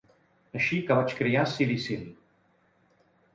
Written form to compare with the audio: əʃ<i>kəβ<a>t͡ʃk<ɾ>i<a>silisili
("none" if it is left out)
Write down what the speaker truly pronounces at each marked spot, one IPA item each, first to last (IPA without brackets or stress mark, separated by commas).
i, a, ɾ, a